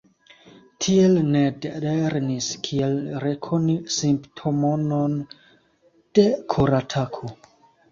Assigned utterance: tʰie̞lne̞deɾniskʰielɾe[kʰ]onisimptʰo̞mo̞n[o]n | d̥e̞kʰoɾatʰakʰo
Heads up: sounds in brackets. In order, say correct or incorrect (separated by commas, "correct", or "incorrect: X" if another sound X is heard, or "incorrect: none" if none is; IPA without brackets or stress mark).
correct, correct